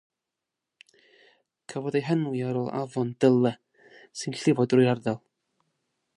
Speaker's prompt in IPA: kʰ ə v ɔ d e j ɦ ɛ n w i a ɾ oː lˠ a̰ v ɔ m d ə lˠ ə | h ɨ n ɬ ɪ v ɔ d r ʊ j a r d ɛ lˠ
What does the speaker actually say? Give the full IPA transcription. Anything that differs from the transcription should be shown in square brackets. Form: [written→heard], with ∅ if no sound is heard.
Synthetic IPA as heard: kʰ ə v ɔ d e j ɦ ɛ n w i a ɾ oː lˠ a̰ v ɔ [m→n] d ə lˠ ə | [h→s] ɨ n ɬ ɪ v ɔ d r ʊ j a r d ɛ lˠ